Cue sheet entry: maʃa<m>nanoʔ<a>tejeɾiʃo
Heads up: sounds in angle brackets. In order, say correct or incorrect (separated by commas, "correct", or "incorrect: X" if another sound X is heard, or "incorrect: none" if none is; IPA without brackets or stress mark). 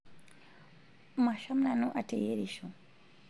correct, correct